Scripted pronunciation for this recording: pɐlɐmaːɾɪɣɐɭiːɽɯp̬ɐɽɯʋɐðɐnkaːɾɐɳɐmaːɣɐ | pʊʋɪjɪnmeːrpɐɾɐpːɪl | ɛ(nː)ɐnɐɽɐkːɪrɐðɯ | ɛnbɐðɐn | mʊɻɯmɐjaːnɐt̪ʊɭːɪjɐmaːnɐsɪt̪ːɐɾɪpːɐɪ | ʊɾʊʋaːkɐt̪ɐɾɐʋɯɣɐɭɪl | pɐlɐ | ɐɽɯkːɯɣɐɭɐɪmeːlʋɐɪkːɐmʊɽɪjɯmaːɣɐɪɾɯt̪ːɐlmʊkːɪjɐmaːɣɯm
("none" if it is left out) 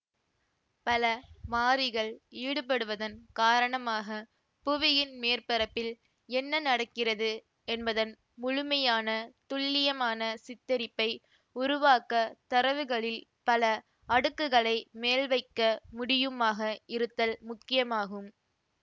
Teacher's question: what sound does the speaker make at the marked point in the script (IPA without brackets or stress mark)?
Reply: nː